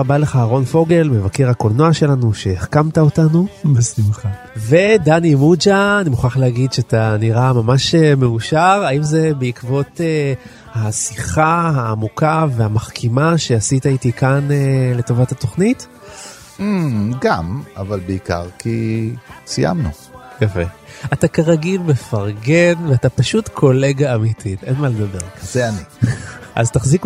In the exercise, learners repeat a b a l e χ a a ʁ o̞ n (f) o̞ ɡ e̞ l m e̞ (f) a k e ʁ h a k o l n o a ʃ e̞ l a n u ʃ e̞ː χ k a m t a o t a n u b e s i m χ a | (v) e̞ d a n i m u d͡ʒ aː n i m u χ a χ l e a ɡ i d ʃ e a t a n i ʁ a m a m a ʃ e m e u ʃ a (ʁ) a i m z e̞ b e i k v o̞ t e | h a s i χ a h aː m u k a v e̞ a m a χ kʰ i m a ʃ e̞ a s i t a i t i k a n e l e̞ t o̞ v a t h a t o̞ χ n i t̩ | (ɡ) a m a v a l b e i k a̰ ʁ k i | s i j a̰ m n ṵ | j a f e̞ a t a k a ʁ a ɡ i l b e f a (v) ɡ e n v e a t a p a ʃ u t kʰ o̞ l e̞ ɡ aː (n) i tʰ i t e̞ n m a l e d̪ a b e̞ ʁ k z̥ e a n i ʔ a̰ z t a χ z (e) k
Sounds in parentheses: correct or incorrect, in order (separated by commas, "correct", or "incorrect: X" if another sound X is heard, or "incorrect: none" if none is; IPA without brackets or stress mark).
correct, incorrect: v, correct, correct, correct, incorrect: ʁ, incorrect: m, incorrect: i